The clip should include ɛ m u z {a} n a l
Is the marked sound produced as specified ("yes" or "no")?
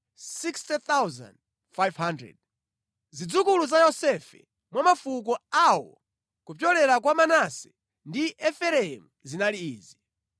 no